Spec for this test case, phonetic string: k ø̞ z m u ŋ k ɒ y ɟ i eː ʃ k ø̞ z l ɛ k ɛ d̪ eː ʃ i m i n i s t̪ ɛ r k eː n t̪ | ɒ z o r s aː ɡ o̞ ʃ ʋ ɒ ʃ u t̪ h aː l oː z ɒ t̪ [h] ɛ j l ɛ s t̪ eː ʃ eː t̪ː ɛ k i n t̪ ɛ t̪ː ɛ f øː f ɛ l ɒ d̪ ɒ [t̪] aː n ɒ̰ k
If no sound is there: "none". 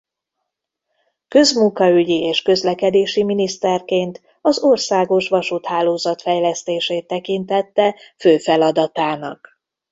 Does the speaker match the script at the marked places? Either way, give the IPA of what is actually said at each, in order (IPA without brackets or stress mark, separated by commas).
f, t̪